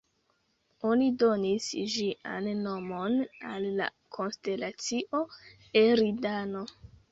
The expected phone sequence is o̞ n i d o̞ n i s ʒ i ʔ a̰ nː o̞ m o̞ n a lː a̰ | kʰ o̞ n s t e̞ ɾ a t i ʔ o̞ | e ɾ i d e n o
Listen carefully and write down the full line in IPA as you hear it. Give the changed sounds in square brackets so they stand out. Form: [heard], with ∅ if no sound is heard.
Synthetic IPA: o̞ n i d o̞ n i s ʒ i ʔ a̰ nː o̞ m o̞ n a lː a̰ | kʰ o̞ n s t e̞ [l] a [t͡s] i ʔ o̞ | e ɾ i d [a] n o